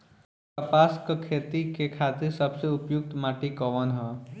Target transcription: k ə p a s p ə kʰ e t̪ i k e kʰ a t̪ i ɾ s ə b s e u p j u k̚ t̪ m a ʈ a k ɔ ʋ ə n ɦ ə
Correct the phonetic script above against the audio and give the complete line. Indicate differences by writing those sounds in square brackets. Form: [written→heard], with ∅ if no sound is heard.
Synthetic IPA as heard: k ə p a s [p→k] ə kʰ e t̪ i k e kʰ a t̪ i ɾ s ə b s e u p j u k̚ t̪ m a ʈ [a→i] k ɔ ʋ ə n ɦ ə